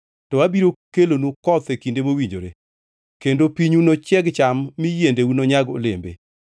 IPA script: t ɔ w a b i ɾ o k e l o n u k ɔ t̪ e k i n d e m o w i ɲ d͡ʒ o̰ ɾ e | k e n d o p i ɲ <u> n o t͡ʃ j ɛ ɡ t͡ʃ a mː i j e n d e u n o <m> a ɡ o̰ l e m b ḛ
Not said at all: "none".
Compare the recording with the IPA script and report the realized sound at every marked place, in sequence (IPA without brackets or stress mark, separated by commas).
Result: u, ɲ